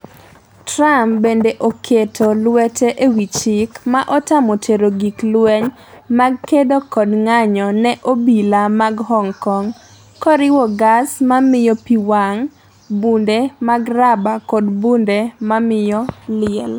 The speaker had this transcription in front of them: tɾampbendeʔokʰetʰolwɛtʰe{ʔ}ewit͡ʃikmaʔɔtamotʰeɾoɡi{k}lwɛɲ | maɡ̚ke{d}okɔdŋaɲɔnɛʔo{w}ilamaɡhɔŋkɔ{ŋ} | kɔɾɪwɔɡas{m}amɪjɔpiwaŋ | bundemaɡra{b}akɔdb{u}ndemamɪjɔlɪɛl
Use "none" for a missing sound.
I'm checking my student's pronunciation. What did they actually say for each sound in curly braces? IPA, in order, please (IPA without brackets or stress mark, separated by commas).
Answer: ʔ, k, d, b, ŋ, m, b, u